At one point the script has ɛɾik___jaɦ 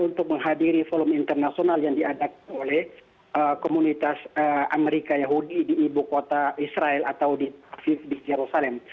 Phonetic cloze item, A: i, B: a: B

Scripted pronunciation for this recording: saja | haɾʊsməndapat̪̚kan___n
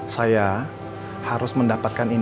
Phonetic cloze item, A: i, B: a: A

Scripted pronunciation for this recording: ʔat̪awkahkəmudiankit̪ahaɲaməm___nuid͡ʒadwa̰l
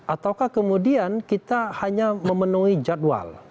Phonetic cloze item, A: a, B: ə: B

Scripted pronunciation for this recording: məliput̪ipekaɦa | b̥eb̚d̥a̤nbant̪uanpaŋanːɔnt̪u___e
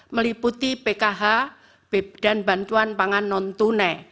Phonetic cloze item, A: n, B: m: A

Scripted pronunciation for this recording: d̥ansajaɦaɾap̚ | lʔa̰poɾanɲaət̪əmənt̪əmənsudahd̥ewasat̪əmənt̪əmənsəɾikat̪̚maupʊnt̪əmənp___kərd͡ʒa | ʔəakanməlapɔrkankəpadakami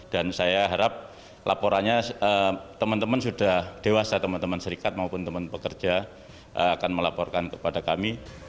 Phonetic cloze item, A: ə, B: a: A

